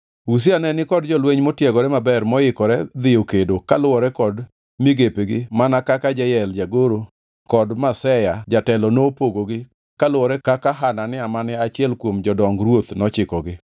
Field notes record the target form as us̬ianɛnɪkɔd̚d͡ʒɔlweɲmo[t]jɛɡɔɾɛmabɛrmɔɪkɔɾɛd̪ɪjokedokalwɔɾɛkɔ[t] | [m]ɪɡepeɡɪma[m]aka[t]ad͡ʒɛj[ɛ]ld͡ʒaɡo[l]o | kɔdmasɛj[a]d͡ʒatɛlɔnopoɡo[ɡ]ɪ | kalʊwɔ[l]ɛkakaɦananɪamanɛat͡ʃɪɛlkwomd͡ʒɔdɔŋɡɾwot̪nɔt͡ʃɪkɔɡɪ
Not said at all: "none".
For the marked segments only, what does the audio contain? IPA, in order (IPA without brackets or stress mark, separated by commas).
t, d, m, n, k, ɛ, ɾ, a, ɡ, ɾ